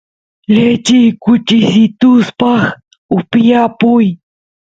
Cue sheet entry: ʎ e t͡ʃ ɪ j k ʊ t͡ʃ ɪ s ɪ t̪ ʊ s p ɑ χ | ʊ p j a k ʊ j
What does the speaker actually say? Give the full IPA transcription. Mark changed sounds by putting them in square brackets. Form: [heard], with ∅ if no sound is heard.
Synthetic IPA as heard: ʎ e t͡ʃ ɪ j k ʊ t͡ʃ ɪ s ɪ t̪ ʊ s p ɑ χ | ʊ p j a [p] ʊ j